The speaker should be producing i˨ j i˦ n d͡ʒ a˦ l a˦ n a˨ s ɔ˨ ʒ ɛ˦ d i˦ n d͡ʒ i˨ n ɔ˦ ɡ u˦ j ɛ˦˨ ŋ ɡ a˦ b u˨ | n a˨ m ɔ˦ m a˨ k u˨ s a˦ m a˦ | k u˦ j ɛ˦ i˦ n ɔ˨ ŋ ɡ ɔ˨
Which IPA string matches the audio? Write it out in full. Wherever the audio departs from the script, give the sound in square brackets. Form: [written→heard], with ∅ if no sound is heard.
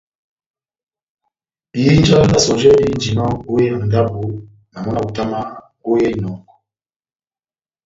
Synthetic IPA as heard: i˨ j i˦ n d͡ʒ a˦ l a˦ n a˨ s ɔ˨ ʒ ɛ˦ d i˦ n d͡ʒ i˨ n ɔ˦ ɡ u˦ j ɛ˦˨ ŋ ɡ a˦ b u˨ | n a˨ m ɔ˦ [m→n] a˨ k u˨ [s→t] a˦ m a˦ | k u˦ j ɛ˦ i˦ n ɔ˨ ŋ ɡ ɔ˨